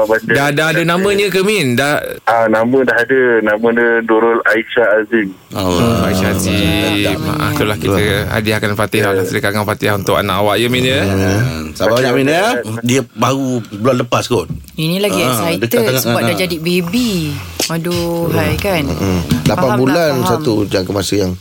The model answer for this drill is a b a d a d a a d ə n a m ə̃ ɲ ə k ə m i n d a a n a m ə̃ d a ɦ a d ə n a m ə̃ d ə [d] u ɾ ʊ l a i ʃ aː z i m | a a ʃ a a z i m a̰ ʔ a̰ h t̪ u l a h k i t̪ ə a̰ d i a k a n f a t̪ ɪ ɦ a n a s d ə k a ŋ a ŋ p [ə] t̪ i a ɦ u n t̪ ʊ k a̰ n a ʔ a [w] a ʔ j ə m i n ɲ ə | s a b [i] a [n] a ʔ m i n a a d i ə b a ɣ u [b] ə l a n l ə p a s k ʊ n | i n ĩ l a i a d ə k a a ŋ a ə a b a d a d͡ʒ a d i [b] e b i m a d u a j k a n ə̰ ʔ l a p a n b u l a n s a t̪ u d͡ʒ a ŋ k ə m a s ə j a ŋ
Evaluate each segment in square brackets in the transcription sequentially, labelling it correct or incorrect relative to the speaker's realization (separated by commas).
correct, incorrect, correct, incorrect, incorrect, correct, correct